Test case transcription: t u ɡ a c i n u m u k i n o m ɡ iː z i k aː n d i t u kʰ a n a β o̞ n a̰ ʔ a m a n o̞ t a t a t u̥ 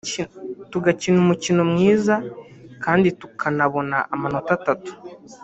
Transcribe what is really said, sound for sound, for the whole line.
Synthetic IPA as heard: t u ɡ a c i n u m u c i n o m ŋ iː z a k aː n d i t u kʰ a n a β o̞ n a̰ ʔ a m a n o̞ t a t a t u̥